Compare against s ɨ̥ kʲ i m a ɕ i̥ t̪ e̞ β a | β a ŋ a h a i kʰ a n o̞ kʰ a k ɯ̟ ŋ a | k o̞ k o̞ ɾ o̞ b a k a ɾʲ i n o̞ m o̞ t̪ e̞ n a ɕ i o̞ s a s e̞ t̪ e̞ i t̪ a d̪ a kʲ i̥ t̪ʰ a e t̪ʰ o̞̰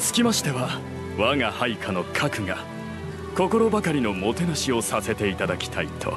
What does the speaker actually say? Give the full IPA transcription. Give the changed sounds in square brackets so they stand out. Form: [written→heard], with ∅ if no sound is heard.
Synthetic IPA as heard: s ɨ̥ kʲ i m a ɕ i̥ t̪ e̞ β a | β a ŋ a h a i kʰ a n o̞ kʰ a k ɯ̟ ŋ a | k o̞ k o̞ ɾ o̞ b a k a ɾʲ i n o̞ m o̞ t̪ e̞ n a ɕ i o̞ s a s e̞ t̪ e̞ i t̪ a d̪ a kʲ i̥ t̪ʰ a [e→i] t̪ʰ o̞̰

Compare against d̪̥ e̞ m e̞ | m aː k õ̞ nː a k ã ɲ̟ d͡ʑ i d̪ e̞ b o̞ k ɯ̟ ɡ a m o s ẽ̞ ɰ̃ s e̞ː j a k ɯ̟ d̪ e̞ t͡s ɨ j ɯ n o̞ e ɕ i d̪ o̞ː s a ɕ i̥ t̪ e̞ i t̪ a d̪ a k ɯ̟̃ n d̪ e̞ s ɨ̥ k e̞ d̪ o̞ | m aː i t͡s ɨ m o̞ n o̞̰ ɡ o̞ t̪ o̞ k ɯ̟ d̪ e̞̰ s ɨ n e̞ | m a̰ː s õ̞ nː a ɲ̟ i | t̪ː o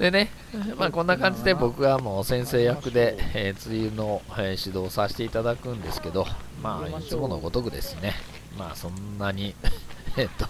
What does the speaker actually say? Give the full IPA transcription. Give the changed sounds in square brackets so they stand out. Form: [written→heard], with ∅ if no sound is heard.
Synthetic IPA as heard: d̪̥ e̞ [m→n] e̞ | m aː k õ̞ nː a k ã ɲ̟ d͡ʑ i d̪ e̞ b o̞ k ɯ̟ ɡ a m o s ẽ̞ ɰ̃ s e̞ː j a k ɯ̟ d̪ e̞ t͡s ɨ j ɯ n o̞ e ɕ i d̪ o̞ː s a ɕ i̥ t̪ e̞ i t̪ a d̪ a k ɯ̟̃ n d̪ e̞ s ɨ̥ k e̞ d̪ o̞ | m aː i t͡s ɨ m o̞ n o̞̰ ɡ o̞ t̪ o̞ k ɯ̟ d̪ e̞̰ s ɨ n e̞ | m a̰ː s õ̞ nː a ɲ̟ i | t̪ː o

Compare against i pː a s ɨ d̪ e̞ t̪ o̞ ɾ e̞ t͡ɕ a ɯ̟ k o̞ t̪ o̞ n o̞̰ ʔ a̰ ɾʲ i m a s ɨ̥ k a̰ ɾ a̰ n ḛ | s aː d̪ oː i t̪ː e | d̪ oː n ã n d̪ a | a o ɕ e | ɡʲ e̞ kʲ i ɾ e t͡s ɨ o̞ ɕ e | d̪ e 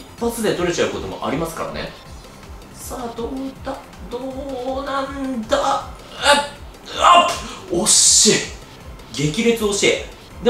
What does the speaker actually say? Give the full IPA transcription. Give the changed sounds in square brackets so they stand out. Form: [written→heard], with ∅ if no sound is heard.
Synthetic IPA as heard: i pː a [s→t͡s] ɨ d̪ e̞ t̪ o̞ ɾ e̞ t͡ɕ a ɯ̟ k o̞ t̪ o̞ [n→m] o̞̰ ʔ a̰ ɾʲ i m a s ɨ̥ k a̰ ɾ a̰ n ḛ | s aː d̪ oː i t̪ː [e→a] | d̪ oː n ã n d̪ a | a o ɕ e | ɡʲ e̞ kʲ i ɾ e t͡s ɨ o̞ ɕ e | d̪ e

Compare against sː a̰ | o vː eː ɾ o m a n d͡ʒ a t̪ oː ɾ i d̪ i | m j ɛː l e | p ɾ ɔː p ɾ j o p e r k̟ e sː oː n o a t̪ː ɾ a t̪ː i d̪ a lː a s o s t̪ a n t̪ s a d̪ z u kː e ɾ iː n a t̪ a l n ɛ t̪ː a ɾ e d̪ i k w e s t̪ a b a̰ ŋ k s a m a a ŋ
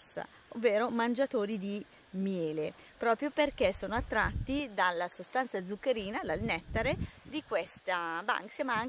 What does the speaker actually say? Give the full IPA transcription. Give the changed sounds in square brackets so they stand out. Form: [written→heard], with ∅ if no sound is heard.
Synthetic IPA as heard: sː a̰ | o vː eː ɾ o m a n d͡ʒ a t̪ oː ɾ i d̪ i | m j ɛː l e | p ɾ ɔː p ɾ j o p e r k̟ e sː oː n o a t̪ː ɾ a t̪ː i d̪ a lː a s o s t̪ a n t̪ s a d̪ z u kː e ɾ iː n a [t̪→d̪] a l n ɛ t̪ː a ɾ e d̪ i k w e s t̪ a b a̰ ŋ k s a m a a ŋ

